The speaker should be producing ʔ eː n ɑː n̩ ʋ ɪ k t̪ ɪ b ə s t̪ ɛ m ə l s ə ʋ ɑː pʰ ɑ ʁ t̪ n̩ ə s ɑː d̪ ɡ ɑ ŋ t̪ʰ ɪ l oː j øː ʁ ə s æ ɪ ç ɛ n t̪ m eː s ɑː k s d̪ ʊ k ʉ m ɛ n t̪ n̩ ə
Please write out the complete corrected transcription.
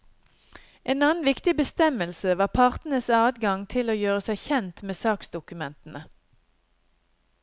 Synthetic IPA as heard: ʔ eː n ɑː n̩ ʋ ɪ k t̪ ɪ b ə s t̪ ɛ m ə l s ə ʋ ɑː pʰ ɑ ʁ t̪ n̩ ə s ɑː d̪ ɡ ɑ ŋ t̪ʰ ɪ l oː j øː ʁ ə s æ ɪ ç ɛ n t̪ m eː s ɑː k s d̪ ʊ k ʉ m ɛ n t̪ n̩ ə